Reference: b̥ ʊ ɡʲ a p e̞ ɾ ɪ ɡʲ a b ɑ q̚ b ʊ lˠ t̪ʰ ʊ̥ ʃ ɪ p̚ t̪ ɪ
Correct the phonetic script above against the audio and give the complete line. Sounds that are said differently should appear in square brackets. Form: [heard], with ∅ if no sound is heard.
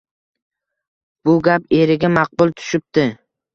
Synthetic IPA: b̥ ʊ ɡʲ a p e̞ ɾ ɪ ɡʲ a [m] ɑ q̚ b ʊ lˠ t̪ʰ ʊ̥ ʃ ɪ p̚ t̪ ɪ